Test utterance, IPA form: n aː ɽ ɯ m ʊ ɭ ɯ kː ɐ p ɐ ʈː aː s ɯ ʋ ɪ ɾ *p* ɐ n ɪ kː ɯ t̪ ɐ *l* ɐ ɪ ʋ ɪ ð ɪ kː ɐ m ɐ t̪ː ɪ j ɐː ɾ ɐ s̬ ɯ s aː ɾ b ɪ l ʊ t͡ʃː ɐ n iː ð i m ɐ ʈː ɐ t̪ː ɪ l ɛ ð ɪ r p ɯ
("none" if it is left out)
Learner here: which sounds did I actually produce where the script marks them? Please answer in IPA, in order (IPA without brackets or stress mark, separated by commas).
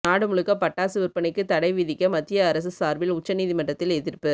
p, ɽ